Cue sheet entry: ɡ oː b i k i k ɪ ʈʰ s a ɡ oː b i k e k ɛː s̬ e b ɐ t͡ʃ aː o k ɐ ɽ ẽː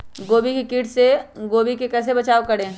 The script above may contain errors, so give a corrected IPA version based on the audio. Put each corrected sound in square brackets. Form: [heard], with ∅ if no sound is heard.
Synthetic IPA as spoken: ɡ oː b i k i k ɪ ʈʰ s [e] ɡ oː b i k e k ɛː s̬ e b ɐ t͡ʃ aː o k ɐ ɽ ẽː